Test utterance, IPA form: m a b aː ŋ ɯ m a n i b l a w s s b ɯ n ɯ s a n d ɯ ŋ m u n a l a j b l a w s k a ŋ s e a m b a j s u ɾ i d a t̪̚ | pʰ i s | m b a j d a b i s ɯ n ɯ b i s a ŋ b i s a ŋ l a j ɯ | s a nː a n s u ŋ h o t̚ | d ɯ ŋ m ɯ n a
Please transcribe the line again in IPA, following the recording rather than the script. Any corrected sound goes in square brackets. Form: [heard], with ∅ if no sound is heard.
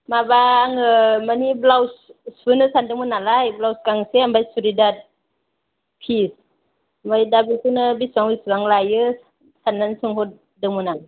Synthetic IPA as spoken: m a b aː ŋ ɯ m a n i b l a w s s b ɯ n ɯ s a n d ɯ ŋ m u n a l a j b l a w s k a ŋ s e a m b a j s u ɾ i d a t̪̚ | pʰ i s | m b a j d a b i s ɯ n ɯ b i s a ŋ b i s a ŋ l a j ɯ | s a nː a n s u ŋ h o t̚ | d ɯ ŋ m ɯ n a